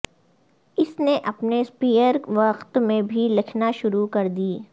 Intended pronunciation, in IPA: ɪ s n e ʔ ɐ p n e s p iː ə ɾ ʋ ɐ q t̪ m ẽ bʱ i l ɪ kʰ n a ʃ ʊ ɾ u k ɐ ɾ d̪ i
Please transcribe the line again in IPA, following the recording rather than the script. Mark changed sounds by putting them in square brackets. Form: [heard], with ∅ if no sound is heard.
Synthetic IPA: ɪ s n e ʔ ɐ p n e s p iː ə ɾ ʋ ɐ q t̪ m ẽ bʱ i l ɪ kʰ n a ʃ ʊ ɾ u k ɐ ɾ d̪ [iː]